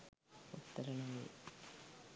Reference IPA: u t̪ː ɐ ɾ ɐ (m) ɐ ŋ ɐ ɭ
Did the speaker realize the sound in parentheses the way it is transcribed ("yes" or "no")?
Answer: no